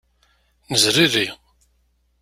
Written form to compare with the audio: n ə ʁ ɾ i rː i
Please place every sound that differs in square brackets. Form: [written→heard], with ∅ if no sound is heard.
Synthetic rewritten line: n ə [ʁ→z] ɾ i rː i